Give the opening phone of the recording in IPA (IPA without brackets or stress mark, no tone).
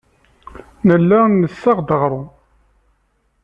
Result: n